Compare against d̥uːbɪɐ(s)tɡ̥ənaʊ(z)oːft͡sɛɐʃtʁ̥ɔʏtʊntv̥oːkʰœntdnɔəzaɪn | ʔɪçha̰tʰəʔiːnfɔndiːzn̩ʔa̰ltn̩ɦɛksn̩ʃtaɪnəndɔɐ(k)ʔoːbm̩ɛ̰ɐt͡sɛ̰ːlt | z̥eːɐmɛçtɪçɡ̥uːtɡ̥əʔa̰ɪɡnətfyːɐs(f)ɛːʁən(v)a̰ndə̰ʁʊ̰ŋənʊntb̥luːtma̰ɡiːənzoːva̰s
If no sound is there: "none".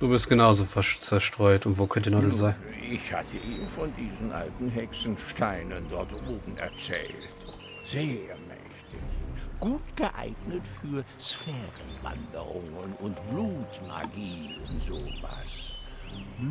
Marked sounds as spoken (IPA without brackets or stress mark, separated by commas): s, z, t, f, v